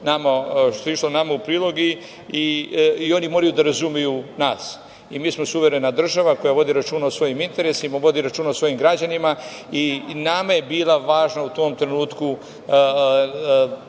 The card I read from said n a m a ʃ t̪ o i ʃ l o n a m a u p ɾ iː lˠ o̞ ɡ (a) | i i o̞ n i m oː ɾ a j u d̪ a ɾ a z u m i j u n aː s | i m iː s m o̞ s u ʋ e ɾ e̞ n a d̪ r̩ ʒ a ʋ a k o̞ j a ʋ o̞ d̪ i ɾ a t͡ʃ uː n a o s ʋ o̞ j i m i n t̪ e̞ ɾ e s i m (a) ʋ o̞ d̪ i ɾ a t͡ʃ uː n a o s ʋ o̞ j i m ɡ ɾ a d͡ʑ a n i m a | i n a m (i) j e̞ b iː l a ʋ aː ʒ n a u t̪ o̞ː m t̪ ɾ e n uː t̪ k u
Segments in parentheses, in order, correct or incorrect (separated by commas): incorrect, correct, incorrect